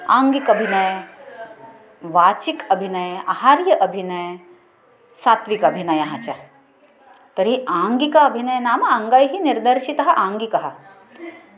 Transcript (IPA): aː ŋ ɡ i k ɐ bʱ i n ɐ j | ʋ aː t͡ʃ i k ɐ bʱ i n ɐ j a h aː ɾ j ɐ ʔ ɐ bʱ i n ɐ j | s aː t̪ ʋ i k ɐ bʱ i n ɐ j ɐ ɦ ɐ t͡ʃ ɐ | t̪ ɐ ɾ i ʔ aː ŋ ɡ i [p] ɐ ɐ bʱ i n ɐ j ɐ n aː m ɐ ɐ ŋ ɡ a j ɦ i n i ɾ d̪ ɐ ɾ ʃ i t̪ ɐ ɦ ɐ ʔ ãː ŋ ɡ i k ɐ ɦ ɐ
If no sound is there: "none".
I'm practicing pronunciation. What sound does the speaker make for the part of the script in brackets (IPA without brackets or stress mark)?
k